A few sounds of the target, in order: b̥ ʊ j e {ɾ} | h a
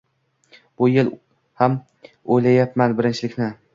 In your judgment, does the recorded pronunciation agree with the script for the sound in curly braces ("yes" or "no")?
no